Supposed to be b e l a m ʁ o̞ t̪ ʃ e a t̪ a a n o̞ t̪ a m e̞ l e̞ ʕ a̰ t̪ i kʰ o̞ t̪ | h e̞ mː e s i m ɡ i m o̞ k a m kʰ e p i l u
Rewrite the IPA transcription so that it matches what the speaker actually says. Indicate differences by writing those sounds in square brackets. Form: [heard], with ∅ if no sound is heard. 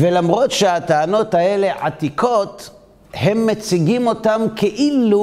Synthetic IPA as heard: [v] e l a m ʁ o̞ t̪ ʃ e a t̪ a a n o̞ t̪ a [∅] e̞ l e̞ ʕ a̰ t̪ i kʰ o̞ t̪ | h e̞ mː e [t͡s] i [∅] ɡ i m o̞ [t] a m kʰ e [ʔ] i l u